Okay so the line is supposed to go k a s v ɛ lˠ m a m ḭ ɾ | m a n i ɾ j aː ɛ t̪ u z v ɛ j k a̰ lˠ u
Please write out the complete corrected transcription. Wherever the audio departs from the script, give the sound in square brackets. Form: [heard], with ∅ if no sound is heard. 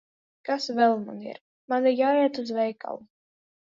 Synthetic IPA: k a s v ɛ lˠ m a [n] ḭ ɾ | m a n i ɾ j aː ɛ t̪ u z v ɛ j k a̰ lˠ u